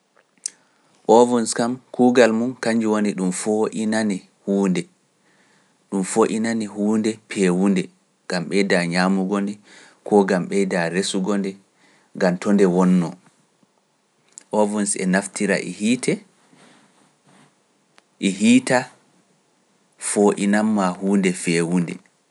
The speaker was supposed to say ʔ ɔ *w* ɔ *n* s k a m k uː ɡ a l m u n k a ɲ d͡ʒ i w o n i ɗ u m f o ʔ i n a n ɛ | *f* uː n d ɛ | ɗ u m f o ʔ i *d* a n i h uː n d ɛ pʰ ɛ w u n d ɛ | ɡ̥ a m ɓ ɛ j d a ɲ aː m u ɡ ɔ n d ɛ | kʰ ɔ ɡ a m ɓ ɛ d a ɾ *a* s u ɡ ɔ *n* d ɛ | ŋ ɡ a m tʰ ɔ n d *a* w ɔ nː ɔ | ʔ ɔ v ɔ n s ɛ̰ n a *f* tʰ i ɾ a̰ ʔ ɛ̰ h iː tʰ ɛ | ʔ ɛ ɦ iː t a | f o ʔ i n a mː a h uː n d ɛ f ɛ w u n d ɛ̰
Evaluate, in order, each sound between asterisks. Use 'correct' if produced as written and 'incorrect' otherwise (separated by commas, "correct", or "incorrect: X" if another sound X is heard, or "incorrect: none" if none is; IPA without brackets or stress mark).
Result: incorrect: v, correct, incorrect: h, incorrect: n, incorrect: e, correct, incorrect: ɛ, correct